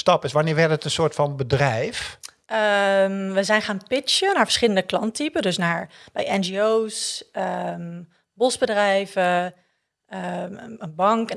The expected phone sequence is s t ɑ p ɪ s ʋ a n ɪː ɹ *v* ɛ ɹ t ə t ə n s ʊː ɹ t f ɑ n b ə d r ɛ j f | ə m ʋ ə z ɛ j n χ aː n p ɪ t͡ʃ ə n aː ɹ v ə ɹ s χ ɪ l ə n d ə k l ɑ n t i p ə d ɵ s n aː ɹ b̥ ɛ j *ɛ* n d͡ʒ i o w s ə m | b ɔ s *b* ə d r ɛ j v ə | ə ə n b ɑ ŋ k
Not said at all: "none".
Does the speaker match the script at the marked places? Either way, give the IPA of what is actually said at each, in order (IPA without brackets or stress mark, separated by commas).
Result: ʋ, ɛ, b